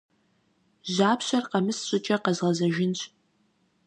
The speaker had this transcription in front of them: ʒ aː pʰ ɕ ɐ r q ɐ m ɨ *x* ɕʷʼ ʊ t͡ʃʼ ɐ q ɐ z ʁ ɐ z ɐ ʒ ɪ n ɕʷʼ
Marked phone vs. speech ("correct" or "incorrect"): incorrect